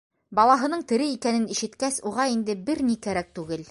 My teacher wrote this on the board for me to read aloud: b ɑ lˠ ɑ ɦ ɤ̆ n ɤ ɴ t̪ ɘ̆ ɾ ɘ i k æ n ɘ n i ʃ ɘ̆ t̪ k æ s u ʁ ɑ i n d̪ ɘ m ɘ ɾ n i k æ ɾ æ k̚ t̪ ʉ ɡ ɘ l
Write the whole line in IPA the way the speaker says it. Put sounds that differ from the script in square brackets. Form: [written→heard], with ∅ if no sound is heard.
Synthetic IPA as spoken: b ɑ lˠ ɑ ɦ ɤ̆ n ɤ ɴ t̪ ɘ̆ ɾ ɘ i k æ n ɘ n i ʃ ɘ̆ t̪ k æ s u ʁ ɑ i n d̪ ɘ [m→b] ɘ ɾ n i k æ ɾ æ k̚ t̪ ʉ ɡ ɘ l